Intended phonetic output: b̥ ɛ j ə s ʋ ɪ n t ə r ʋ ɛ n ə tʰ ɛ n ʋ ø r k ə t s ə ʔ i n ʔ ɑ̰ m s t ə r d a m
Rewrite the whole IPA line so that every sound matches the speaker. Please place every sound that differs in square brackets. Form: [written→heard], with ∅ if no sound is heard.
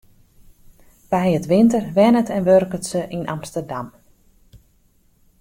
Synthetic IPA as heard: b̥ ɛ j ə [s→t] ʋ ɪ n t ə r ʋ ɛ n ə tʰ ɛ n ʋ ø r k ə t s ə ʔ i n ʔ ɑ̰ m s t ə r d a m